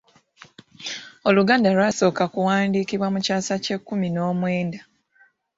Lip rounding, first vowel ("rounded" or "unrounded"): rounded